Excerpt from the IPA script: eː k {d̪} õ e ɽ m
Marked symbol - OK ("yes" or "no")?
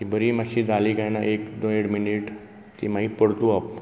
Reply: yes